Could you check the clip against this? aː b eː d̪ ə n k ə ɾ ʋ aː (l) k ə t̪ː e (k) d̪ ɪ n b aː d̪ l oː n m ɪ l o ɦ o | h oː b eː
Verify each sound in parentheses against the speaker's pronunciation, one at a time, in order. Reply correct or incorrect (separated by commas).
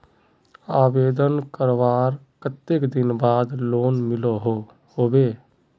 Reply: incorrect, correct